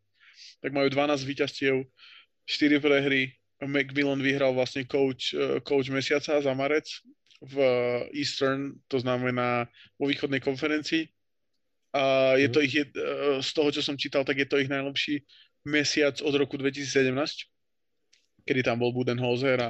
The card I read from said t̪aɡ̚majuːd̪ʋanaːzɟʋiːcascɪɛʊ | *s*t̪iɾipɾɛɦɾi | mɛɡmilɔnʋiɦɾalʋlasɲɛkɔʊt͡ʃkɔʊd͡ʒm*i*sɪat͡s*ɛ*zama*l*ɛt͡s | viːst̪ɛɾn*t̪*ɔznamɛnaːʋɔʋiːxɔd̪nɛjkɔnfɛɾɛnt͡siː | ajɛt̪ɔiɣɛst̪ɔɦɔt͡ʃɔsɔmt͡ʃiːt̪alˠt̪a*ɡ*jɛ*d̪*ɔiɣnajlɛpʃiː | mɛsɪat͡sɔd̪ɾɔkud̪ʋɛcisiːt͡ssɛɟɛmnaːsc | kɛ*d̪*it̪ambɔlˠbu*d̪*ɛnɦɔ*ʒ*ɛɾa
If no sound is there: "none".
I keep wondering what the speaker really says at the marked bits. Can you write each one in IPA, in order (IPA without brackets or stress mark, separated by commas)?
ʃ, ɛ, a, ɾ, t̪, ɡ, t̪, d̪, d̪, z